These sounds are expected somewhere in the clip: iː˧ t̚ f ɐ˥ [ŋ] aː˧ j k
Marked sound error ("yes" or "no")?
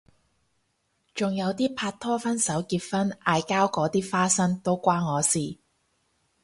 yes